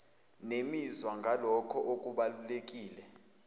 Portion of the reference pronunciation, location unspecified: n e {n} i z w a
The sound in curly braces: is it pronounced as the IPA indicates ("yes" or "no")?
no